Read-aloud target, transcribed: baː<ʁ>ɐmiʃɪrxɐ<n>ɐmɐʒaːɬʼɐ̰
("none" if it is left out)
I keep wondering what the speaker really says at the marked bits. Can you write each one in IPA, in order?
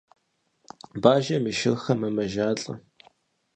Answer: ʒ, m

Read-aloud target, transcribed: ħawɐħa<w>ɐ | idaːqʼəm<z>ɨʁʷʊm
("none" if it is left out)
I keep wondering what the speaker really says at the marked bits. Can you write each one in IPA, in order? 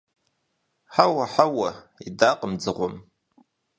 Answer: w, d͡z

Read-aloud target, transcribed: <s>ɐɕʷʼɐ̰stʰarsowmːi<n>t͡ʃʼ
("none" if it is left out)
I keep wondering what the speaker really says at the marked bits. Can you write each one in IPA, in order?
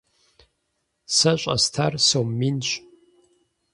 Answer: s, n

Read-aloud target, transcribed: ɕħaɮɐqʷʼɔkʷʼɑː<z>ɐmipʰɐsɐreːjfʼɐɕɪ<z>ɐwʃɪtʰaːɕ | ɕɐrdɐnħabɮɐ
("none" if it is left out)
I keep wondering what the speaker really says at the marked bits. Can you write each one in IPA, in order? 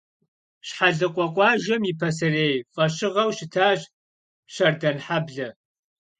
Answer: ʒ, ʁ

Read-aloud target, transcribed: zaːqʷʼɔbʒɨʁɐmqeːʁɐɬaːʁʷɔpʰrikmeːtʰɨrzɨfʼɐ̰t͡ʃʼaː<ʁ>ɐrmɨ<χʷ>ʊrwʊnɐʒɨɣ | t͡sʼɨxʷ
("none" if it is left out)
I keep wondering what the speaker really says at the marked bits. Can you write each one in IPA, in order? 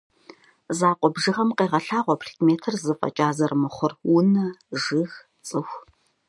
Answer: z, χʷ

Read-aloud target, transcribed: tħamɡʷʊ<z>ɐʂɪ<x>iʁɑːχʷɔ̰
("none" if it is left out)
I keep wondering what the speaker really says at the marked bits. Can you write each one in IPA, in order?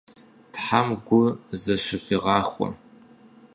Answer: z, f

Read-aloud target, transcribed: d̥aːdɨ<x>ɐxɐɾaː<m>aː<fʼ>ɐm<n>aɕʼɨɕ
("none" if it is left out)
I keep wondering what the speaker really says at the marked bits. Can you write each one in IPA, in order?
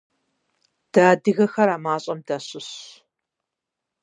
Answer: ɣ, m, ɕʼ, d

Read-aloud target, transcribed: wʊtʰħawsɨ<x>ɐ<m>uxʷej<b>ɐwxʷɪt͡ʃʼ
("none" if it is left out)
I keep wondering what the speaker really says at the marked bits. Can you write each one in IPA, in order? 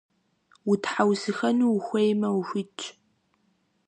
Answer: x, n, m

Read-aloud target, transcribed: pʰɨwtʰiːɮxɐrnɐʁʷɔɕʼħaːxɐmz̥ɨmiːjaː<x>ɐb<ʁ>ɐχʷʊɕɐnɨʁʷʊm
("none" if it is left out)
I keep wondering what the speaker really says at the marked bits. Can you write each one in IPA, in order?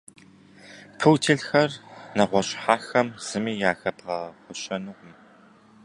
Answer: x, ʁ

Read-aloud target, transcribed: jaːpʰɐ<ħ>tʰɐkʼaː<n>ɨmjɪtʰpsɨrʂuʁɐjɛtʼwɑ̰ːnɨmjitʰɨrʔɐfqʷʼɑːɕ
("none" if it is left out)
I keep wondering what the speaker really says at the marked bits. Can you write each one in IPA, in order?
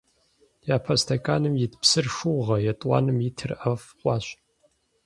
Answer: s, n

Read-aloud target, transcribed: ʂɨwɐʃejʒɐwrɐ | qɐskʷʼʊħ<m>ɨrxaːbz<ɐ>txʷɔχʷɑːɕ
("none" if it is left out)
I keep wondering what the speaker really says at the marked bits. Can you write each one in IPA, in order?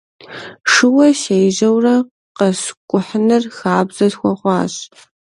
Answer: n, ɐ

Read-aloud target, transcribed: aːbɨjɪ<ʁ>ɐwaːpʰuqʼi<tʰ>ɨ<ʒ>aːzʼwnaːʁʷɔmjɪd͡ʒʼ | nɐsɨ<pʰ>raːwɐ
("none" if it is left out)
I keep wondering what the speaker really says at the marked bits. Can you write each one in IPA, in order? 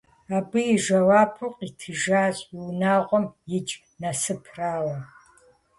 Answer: ʒ, tʰ, ʒ, pʰ

